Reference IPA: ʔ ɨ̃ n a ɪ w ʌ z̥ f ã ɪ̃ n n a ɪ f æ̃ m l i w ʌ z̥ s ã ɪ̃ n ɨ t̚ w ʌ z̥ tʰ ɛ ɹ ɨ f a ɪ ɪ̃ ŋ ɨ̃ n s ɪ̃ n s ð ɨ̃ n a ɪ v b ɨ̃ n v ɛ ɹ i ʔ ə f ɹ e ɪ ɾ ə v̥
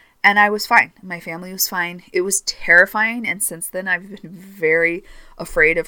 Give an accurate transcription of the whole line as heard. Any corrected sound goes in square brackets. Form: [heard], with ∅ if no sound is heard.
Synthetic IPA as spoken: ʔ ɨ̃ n a ɪ w ʌ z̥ f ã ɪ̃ n [m] a ɪ f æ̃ m l i w ʌ z̥ [f] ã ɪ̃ n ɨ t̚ w ʌ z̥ tʰ ɛ ɹ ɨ f a ɪ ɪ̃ ŋ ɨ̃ n s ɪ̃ n s ð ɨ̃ n a ɪ v b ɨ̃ n v ɛ ɹ i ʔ ə f ɹ e ɪ ɾ [ʌ] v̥